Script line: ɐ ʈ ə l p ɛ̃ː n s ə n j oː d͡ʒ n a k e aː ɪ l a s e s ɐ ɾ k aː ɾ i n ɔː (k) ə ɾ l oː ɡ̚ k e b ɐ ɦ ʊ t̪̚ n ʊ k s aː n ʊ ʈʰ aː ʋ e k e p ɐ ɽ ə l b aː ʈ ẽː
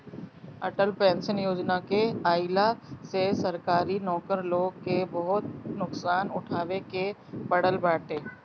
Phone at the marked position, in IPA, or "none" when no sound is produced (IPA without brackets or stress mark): k